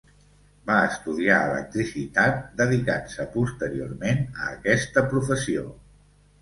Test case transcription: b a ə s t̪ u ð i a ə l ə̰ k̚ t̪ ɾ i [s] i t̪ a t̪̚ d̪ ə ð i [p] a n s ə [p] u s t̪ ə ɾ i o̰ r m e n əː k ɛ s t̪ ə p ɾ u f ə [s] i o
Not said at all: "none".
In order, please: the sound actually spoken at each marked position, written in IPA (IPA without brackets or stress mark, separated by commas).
s, k, p, s